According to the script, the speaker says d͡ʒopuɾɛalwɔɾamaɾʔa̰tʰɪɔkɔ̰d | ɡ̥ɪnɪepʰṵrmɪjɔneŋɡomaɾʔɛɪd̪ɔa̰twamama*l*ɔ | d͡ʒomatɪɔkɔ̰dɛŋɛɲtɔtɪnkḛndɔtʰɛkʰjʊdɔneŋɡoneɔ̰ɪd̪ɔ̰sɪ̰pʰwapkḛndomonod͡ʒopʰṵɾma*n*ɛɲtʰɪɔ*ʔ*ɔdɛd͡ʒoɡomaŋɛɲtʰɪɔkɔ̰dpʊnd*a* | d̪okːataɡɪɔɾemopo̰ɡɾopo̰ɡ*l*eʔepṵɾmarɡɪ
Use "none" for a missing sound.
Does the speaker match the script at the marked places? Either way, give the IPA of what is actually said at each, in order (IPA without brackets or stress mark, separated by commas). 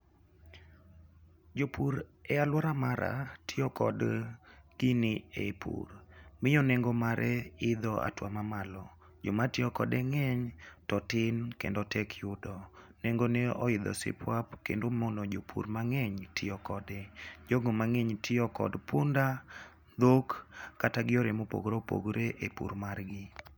l, ŋ, k, a, ɾ